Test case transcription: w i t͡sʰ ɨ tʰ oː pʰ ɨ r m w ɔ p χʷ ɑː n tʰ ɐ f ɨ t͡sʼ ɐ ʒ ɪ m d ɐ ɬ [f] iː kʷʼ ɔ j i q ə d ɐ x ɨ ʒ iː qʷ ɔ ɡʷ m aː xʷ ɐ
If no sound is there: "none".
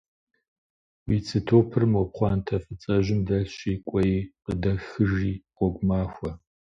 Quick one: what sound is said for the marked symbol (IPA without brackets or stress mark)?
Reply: ɕ